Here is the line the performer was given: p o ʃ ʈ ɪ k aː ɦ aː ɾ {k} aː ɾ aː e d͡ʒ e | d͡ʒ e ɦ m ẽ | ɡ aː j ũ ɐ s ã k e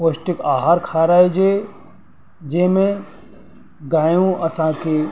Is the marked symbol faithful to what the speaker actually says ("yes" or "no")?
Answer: no